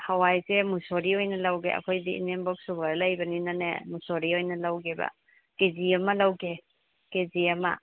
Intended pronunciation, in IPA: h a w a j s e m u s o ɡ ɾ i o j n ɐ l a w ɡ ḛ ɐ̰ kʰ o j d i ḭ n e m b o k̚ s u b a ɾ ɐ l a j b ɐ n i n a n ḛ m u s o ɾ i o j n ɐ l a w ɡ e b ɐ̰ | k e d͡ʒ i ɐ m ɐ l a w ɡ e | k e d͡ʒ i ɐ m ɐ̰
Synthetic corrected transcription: h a w a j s e m u s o ɾ i o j n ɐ l a w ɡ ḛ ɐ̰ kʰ o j d i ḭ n e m b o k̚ s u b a ɾ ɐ l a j b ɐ n i n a n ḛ m u s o ɾ i o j n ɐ l a w ɡ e b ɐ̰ | k e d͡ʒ i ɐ m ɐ l a w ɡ e | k e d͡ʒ i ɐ m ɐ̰